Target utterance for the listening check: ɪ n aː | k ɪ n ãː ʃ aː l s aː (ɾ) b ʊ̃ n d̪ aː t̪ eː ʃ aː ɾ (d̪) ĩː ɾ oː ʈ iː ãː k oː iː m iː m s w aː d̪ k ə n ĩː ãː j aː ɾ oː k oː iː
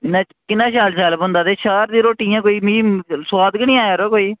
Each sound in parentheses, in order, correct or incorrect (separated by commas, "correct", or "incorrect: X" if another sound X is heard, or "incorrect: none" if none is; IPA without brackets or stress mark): incorrect: l, correct